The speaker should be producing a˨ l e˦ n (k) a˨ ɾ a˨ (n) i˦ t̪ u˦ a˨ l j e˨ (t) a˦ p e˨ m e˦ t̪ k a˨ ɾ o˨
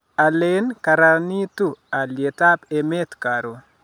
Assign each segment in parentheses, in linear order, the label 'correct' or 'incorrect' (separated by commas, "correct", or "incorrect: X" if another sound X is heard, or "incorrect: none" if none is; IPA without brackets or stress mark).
correct, correct, correct